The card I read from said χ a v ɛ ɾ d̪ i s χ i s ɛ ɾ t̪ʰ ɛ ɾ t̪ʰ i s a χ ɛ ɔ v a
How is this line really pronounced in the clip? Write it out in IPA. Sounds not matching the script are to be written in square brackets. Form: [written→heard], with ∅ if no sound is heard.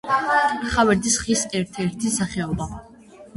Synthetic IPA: χ a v ɛ ɾ d̪ i s χ i s ɛ ɾ t̪ʰ ɛ ɾ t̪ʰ i s a χ ɛ ɔ [v→b] a